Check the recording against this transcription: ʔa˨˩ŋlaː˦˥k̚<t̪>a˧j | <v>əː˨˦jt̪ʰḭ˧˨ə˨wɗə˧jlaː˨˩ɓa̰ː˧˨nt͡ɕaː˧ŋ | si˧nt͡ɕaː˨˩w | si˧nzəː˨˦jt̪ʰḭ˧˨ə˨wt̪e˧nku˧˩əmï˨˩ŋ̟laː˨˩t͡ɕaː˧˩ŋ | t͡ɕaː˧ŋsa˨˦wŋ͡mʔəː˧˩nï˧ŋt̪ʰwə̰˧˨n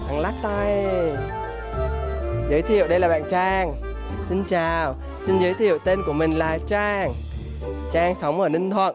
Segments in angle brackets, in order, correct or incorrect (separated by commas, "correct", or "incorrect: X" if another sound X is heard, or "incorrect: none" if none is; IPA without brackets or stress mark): correct, incorrect: z